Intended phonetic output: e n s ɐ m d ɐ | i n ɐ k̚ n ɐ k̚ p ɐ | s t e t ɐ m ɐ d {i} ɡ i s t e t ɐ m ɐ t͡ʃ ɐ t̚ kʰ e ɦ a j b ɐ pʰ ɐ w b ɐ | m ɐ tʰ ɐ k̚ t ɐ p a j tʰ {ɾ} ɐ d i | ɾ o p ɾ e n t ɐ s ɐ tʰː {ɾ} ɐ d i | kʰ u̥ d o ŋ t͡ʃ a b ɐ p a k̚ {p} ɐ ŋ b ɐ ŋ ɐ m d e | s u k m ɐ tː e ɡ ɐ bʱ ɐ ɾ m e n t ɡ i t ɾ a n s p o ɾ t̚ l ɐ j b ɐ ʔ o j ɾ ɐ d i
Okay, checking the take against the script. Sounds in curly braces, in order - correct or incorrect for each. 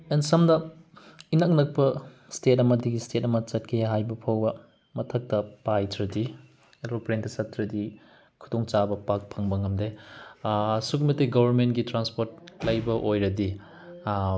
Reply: correct, correct, correct, incorrect: pʰ

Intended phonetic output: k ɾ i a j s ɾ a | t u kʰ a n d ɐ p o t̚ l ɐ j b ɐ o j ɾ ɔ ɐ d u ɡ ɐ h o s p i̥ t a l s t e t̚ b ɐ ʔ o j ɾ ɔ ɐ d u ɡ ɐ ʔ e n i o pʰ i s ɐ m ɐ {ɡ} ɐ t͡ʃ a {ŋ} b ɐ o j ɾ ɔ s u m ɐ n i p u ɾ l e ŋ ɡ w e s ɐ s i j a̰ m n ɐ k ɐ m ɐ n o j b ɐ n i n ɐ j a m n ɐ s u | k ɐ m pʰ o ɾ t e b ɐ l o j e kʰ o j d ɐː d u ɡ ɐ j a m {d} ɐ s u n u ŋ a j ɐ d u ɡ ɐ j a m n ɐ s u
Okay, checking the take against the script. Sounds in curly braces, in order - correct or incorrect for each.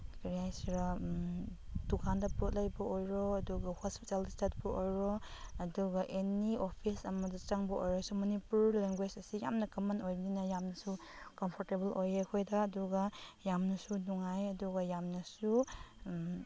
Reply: incorrect: d, correct, incorrect: n

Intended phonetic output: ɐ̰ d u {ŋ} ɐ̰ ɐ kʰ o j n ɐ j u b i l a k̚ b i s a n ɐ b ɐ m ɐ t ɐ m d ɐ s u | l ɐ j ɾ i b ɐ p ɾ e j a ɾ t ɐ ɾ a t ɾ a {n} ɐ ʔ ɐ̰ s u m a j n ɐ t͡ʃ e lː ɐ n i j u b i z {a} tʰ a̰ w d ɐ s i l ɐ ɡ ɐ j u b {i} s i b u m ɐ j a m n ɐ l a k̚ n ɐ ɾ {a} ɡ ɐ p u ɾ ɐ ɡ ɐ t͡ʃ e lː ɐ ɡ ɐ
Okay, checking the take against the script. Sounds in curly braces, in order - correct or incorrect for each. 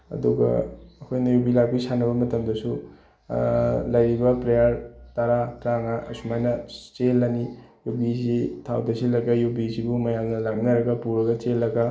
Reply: incorrect: ɡ, incorrect: ŋ, incorrect: i, correct, incorrect: ɐ

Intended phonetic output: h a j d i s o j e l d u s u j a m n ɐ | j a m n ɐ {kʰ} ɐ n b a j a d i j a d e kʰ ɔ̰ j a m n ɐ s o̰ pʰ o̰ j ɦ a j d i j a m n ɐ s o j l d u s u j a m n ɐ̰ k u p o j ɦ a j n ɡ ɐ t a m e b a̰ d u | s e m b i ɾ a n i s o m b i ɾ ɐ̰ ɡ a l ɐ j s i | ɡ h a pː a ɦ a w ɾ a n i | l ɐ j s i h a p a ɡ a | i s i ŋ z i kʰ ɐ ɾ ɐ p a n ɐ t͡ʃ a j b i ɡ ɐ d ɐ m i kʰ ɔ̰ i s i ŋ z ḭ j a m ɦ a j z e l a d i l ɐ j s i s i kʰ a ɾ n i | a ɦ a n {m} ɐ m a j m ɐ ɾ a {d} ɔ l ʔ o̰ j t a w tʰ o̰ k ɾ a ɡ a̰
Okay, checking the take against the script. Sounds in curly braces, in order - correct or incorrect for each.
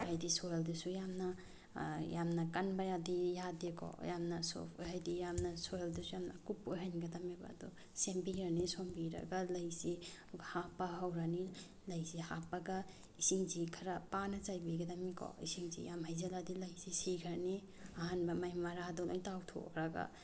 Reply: incorrect: k, incorrect: b, correct

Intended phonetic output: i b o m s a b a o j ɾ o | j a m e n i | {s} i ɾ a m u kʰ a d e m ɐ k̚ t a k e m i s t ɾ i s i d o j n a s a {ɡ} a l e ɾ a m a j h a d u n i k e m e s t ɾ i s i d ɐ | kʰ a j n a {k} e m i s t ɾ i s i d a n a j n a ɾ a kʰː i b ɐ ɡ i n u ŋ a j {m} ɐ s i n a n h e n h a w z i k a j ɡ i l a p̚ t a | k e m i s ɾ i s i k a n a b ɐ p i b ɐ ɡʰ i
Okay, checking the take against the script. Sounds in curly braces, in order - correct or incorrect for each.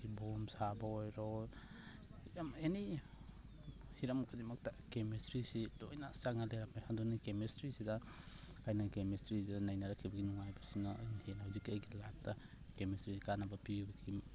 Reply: incorrect: h, incorrect: ŋ, correct, incorrect: b

